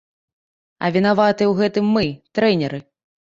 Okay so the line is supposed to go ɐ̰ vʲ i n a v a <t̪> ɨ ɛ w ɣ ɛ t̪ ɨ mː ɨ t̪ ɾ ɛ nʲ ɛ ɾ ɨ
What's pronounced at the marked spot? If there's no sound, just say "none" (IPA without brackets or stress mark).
t̪